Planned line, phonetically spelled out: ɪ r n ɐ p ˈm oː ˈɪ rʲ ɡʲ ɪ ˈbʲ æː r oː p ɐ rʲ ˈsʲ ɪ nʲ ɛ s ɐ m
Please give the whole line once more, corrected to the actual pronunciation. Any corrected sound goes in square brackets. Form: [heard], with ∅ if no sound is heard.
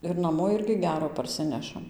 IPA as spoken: ɪ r n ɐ [∅] ˈm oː ˈɪ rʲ ɡʲ ɪ [ˈɡʲ] æː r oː p ɐ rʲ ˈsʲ ɪ nʲ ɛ [ʃ] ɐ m